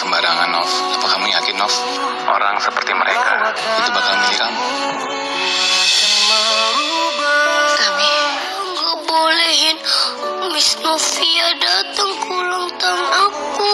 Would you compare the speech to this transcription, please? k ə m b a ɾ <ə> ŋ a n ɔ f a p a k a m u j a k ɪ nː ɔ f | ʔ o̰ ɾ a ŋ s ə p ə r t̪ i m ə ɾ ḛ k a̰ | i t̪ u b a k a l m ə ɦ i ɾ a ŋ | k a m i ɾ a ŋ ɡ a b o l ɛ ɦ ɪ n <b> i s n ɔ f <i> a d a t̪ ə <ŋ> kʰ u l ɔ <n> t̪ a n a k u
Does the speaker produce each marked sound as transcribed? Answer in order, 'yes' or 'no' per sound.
no, no, yes, yes, no

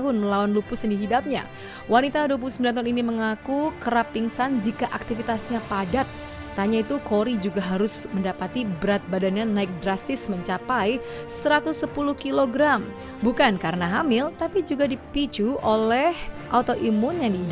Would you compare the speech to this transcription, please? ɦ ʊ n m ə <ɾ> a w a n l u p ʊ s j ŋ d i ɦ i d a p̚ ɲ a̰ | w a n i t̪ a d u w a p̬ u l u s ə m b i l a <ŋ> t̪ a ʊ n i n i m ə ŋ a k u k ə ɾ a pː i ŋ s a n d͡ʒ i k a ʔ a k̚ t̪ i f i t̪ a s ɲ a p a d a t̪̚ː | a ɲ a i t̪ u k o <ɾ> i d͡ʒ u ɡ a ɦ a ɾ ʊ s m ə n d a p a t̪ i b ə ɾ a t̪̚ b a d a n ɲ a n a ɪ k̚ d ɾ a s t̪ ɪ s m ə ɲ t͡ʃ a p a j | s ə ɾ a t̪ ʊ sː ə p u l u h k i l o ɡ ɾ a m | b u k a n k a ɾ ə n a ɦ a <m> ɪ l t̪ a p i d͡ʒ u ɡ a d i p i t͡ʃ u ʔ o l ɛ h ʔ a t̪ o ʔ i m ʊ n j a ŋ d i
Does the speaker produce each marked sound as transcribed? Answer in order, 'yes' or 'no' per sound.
no, no, yes, yes

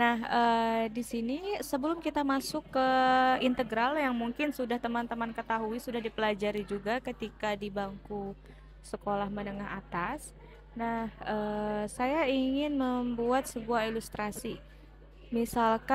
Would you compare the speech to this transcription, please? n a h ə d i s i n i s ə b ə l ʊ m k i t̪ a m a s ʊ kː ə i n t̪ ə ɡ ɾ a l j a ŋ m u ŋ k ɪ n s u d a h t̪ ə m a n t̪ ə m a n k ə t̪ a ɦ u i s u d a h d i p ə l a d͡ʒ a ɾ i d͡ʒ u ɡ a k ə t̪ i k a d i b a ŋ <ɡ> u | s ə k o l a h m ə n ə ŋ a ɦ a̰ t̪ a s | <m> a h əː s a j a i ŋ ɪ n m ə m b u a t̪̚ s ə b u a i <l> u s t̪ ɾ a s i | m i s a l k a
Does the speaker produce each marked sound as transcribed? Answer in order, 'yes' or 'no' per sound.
no, no, yes

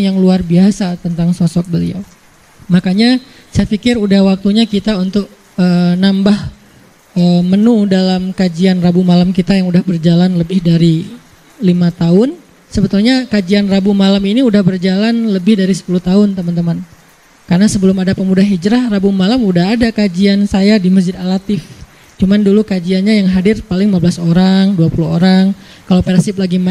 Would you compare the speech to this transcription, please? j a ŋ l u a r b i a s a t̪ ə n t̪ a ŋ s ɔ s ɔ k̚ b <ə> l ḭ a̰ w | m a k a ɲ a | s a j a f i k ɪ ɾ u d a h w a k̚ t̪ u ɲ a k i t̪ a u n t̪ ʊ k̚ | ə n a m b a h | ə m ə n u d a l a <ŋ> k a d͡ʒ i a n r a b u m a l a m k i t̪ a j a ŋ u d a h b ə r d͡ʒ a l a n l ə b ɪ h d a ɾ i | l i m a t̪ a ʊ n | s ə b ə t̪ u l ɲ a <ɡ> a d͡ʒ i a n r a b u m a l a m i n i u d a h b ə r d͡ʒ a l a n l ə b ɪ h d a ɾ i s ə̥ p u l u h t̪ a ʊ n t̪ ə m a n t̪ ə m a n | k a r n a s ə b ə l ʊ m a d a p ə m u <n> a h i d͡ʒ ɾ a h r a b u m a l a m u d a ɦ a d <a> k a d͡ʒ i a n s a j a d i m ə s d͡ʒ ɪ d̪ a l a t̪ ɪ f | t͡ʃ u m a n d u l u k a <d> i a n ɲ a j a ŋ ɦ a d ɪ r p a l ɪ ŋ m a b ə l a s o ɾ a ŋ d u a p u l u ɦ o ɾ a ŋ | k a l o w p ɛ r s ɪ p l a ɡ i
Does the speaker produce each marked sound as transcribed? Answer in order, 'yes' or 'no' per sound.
yes, no, no, no, yes, no

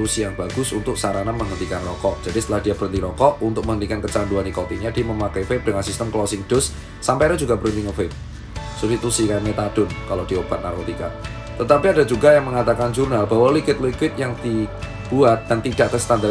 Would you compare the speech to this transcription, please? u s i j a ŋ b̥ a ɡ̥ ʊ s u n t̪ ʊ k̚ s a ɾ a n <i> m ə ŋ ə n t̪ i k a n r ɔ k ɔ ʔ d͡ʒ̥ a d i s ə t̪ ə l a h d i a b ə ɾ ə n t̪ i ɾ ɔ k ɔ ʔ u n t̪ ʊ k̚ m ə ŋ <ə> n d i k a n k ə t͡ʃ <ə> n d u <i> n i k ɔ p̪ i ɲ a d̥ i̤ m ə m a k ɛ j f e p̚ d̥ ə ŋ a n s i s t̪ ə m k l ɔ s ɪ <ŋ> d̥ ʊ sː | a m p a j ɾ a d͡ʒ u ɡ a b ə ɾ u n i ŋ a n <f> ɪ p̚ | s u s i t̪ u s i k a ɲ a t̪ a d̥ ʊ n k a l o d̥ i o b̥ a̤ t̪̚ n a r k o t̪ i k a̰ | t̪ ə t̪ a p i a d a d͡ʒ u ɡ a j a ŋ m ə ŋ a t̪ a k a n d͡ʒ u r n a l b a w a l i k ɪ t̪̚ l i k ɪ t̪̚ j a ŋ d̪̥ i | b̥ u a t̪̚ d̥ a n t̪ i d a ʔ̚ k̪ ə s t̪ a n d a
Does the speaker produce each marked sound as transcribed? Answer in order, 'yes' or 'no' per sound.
no, yes, no, no, yes, yes

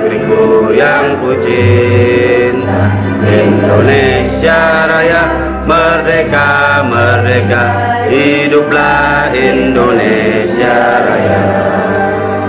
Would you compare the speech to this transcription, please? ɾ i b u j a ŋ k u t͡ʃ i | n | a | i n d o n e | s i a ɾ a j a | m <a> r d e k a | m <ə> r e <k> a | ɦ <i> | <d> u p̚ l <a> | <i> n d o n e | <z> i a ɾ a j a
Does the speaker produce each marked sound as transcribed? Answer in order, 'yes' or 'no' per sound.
no, yes, yes, yes, yes, yes, yes, no

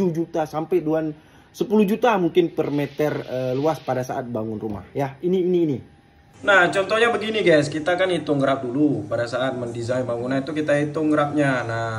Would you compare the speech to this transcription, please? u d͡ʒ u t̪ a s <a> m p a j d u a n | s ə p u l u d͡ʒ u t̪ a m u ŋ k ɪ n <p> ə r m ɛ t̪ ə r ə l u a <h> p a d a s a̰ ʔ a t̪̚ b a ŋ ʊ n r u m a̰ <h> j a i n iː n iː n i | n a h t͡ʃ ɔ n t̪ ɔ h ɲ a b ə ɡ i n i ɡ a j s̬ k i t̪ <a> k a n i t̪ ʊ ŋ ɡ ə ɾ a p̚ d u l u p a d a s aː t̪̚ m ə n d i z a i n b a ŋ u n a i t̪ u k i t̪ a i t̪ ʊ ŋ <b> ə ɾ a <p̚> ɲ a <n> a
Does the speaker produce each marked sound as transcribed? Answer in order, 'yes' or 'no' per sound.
yes, yes, no, yes, yes, no, yes, yes

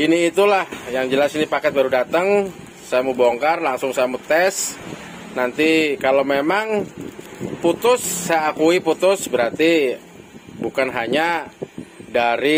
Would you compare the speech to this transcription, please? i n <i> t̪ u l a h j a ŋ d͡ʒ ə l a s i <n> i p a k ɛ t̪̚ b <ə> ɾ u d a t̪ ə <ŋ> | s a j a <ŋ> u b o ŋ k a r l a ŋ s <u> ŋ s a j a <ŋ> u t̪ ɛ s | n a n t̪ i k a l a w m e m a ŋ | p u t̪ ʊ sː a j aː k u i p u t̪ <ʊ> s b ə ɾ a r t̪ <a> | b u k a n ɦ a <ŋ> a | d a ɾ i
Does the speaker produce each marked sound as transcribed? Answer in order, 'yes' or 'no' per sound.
no, yes, no, yes, no, no, no, yes, no, no

